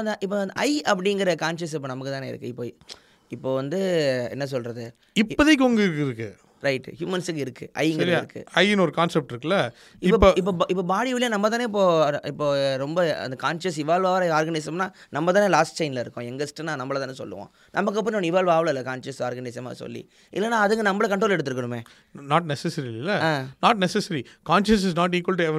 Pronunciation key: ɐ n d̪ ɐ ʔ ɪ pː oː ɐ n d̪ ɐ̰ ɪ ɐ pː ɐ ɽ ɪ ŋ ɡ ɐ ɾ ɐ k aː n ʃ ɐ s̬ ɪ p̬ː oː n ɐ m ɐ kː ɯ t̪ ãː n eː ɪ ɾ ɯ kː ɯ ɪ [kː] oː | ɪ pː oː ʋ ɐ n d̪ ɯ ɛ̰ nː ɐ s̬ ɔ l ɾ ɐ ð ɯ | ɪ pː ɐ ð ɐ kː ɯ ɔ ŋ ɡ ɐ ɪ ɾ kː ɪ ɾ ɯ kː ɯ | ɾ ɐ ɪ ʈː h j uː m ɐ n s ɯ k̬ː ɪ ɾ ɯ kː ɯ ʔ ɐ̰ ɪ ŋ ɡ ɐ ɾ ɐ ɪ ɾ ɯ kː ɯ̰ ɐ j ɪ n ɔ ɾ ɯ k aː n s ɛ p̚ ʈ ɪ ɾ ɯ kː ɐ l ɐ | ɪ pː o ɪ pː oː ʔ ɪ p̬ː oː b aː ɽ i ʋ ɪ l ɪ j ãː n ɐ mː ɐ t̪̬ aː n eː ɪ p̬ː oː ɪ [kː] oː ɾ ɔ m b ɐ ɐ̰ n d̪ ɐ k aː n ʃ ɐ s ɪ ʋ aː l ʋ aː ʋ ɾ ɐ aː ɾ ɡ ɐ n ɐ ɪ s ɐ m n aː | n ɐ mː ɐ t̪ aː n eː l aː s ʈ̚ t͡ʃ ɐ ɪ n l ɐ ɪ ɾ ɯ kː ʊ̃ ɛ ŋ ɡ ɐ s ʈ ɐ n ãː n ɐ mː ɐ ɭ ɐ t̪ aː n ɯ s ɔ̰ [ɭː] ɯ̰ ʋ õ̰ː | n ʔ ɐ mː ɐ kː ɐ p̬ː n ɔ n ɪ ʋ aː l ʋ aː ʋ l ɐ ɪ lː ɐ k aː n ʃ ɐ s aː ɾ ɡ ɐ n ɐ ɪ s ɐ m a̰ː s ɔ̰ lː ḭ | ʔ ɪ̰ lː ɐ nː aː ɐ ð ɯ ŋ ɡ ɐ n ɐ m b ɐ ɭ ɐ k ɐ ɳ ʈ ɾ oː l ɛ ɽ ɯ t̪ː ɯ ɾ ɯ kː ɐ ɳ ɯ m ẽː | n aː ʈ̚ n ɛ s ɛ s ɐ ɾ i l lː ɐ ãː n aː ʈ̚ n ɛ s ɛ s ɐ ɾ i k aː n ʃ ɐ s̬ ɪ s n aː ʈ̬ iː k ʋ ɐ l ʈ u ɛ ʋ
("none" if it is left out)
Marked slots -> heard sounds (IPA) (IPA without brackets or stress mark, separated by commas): pː, pː, lː